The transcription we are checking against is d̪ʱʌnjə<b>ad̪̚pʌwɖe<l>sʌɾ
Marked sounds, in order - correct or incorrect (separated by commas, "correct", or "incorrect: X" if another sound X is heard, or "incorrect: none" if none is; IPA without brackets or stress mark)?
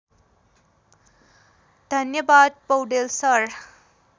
correct, correct